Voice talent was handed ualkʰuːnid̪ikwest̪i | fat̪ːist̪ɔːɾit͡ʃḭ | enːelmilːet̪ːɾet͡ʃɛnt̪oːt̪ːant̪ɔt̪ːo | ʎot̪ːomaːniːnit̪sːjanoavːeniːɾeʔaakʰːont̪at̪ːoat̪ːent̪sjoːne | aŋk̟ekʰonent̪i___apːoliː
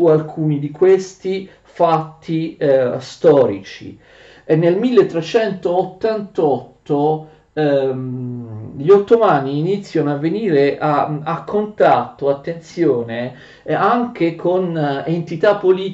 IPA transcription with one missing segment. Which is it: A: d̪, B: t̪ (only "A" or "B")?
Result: B